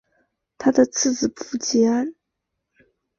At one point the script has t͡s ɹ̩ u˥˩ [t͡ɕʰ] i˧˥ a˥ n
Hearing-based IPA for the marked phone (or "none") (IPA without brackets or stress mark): t͡ɕ